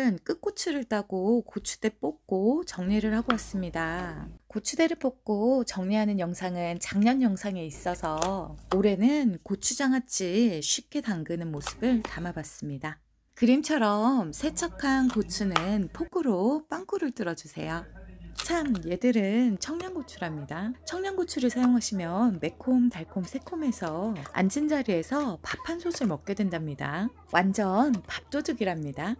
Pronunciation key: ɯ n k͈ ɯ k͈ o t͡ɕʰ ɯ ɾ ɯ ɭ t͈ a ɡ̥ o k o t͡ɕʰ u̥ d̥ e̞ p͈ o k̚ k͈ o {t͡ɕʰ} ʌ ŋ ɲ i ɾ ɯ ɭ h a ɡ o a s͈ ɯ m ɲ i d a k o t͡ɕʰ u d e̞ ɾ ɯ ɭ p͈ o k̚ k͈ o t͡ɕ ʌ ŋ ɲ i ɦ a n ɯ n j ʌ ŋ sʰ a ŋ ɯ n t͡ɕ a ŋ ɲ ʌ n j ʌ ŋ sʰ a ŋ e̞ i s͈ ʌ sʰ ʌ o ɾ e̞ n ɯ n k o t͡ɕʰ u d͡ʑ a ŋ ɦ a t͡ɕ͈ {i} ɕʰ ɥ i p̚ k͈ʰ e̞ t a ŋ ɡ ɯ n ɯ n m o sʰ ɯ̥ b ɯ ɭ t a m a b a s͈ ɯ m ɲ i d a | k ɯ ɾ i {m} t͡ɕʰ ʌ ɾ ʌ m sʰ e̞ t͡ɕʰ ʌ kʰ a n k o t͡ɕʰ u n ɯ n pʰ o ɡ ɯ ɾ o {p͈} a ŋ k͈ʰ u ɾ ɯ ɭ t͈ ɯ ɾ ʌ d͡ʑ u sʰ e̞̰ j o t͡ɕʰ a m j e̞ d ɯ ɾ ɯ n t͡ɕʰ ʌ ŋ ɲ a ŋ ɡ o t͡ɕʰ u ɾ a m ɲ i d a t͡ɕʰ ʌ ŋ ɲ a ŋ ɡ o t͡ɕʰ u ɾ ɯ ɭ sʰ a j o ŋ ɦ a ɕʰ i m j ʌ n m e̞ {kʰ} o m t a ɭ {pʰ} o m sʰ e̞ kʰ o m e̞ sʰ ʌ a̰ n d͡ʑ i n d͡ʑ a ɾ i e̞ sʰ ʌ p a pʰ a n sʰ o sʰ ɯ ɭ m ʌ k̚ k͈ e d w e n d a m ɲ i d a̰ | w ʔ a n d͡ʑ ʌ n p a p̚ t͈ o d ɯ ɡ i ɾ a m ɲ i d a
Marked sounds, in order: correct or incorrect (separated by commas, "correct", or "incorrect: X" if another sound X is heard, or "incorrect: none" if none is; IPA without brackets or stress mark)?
incorrect: t͡ɕ, correct, correct, correct, correct, incorrect: kʰ